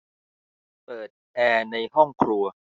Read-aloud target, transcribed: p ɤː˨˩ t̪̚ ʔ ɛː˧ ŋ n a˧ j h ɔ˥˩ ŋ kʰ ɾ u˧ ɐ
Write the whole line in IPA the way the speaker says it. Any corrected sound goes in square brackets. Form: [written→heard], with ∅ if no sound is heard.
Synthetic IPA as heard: p ɤː˨˩ t̪̚ ʔ ɛː˧ [ŋ→∅] n a˧ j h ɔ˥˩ ŋ kʰ ɾ u˧ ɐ